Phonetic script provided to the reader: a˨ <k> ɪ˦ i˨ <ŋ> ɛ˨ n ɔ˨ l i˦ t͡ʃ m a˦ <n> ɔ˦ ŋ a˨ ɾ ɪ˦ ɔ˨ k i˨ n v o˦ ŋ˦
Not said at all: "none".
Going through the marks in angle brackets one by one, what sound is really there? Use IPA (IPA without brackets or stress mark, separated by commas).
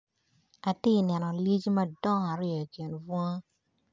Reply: t, n, d